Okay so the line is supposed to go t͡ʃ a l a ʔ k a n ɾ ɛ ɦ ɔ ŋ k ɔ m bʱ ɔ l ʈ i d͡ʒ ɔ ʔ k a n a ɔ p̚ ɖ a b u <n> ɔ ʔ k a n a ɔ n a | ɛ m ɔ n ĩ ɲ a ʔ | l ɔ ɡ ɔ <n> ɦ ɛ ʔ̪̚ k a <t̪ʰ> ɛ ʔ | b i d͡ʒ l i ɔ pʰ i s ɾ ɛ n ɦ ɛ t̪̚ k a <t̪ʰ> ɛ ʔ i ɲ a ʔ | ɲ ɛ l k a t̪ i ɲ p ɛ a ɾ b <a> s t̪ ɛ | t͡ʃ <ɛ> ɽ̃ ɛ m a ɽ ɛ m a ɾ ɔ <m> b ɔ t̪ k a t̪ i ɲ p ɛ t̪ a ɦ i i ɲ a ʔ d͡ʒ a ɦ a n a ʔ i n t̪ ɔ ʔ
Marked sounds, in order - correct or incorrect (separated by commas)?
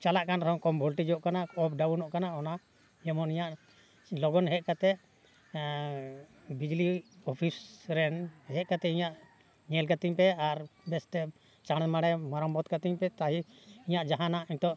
correct, correct, incorrect, incorrect, incorrect, incorrect, correct